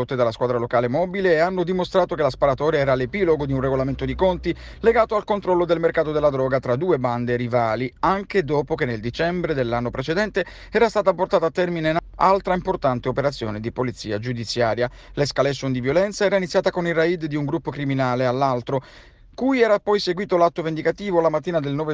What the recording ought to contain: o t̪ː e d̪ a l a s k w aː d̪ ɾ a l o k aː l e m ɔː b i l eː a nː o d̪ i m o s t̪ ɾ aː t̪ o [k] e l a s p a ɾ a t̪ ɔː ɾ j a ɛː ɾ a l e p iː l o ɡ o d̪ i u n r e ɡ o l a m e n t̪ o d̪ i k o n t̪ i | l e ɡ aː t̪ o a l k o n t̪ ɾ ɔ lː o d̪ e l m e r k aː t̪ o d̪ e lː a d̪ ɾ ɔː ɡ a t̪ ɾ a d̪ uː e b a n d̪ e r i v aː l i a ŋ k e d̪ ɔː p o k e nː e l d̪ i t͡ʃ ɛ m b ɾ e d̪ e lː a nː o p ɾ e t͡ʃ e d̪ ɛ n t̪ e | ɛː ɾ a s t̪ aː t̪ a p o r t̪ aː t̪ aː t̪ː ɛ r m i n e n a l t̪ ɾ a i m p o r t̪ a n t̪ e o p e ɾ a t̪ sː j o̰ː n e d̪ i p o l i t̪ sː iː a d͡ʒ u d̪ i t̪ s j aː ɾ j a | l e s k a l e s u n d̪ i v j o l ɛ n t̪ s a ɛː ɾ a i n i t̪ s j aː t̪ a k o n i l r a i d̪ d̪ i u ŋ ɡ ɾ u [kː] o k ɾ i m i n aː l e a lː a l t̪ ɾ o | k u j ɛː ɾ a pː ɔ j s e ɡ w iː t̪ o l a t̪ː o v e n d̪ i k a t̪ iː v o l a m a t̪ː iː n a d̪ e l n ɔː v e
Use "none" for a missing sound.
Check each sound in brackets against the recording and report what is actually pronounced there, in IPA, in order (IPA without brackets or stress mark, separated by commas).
k, pː